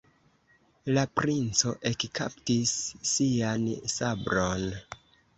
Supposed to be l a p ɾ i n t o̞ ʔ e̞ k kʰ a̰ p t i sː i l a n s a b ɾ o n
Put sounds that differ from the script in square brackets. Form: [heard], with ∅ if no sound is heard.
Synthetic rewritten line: l a p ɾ i n [t͡s] o̞ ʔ e̞ k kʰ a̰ p t i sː i [∅] a n s a b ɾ o n